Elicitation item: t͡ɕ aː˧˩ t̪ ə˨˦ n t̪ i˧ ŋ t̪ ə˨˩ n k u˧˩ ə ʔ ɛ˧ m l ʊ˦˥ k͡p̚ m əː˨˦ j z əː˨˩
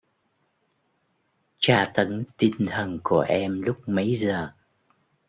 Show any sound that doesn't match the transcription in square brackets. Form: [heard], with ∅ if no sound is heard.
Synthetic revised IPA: t͡ɕ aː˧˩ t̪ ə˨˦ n t̪ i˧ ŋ [t̪ʰ] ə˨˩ n k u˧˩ ə ʔ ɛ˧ m l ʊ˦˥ k͡p̚ m [ə˨˦] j z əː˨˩